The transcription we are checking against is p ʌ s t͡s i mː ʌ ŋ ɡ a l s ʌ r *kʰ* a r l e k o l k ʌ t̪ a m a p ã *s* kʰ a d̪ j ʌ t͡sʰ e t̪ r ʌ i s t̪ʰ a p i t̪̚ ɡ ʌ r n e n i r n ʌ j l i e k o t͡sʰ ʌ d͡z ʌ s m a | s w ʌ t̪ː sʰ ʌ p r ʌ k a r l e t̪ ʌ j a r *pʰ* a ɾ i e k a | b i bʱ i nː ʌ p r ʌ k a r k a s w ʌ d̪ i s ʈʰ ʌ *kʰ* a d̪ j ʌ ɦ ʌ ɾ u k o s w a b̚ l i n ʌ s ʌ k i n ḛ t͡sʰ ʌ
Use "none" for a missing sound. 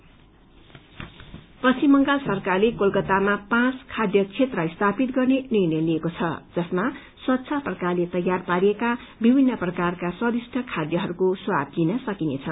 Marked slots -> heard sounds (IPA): k, t͡s, p, kʰ

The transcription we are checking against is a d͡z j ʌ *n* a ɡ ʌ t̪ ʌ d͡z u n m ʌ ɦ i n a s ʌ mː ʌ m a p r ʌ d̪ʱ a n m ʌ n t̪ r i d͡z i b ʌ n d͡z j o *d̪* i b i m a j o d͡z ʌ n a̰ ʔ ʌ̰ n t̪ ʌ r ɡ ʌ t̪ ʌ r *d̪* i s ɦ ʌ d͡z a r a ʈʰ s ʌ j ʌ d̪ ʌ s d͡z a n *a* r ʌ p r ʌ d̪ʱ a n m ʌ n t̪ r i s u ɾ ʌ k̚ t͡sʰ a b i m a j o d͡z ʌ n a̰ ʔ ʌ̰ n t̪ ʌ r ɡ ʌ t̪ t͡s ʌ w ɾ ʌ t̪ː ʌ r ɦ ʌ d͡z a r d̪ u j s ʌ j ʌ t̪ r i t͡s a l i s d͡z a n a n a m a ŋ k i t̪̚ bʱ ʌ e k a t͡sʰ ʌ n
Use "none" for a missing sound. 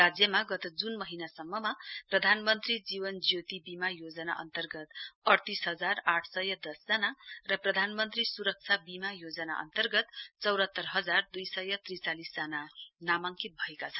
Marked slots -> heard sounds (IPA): m, t̪, t̪, a

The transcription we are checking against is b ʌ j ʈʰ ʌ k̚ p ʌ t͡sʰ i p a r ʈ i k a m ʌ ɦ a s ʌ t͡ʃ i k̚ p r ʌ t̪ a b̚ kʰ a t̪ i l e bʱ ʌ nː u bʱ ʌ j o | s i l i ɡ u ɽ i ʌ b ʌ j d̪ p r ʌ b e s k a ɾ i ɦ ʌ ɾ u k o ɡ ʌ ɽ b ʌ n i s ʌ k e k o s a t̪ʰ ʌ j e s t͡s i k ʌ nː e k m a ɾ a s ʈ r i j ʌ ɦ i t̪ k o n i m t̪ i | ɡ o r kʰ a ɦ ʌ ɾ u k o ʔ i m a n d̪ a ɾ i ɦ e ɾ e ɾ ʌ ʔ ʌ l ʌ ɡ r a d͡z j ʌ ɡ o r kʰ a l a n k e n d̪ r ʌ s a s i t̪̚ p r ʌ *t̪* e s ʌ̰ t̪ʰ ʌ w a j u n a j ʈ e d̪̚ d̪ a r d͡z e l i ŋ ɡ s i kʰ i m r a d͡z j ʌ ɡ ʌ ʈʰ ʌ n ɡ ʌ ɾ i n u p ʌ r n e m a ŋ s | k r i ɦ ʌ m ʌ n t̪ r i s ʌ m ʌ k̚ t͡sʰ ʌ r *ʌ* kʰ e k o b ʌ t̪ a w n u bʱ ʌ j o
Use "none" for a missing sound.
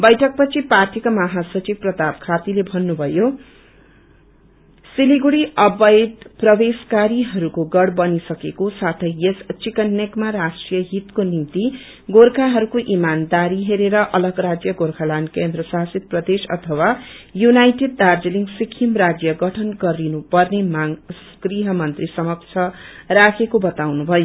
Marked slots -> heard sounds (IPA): d̪, a

